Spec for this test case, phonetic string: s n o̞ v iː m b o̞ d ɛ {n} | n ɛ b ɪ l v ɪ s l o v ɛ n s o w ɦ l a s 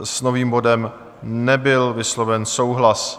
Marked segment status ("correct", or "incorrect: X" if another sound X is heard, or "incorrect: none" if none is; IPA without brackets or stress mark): incorrect: m